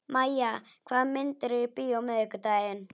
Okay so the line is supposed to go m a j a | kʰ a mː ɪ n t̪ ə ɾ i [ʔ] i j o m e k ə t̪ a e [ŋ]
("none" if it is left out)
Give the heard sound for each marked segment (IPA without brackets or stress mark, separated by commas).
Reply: p, n